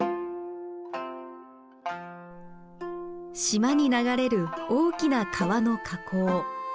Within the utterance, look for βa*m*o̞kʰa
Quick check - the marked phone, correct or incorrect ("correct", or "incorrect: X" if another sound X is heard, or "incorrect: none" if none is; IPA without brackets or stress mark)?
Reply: incorrect: n